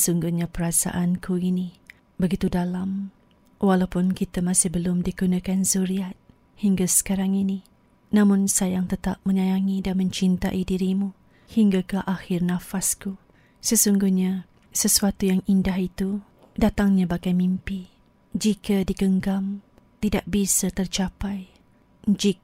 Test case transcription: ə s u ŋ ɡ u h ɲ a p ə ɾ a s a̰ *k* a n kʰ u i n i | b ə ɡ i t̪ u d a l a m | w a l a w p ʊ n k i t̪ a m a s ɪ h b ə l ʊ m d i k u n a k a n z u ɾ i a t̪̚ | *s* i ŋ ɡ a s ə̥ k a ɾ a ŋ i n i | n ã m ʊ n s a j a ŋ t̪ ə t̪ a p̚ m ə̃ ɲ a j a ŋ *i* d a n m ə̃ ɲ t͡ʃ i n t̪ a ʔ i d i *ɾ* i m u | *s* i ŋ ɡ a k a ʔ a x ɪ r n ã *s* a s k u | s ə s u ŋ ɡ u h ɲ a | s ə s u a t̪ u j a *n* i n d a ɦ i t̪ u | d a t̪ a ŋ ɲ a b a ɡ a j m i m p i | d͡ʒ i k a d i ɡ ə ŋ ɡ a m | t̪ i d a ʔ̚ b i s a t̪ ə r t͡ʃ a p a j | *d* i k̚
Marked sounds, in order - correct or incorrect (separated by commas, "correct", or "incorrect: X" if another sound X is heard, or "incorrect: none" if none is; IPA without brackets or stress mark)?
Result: incorrect: ʔ, incorrect: h, correct, correct, incorrect: h, incorrect: f, incorrect: ŋ, incorrect: d͡ʒ